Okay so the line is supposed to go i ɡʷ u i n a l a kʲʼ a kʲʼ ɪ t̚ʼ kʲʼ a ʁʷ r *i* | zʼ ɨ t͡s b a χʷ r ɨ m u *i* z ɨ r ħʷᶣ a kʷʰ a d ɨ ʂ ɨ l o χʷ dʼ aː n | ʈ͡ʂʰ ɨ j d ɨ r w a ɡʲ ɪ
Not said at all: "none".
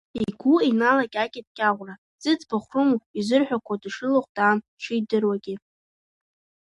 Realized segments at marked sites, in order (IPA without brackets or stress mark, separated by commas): a, i